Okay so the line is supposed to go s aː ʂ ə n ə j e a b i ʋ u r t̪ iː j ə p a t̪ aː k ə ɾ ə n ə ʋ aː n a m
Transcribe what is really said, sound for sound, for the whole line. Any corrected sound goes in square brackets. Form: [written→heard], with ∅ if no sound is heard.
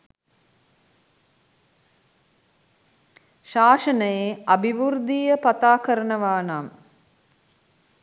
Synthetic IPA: [s→ʃ] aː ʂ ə n ə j e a b i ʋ u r [t̪→d̪] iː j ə p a t̪ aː k ə ɾ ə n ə ʋ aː n a m